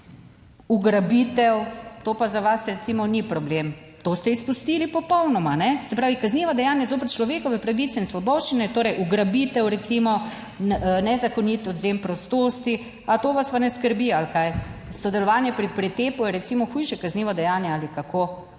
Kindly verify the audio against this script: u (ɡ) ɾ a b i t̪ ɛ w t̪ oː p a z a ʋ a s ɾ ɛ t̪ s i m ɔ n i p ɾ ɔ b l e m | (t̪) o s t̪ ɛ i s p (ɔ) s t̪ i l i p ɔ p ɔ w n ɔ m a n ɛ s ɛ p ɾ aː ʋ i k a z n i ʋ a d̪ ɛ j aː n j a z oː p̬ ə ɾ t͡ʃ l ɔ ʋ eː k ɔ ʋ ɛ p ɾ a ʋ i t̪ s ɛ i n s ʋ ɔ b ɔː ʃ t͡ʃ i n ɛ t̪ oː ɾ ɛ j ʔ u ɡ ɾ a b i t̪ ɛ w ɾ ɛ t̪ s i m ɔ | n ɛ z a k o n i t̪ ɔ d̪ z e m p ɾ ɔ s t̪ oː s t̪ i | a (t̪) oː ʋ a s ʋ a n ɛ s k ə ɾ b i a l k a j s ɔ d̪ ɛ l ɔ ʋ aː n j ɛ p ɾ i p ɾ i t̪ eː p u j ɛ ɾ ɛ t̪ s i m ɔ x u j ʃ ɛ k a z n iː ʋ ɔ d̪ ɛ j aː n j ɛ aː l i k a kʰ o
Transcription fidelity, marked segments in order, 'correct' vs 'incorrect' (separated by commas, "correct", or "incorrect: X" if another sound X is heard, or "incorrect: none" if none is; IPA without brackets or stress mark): correct, correct, incorrect: u, correct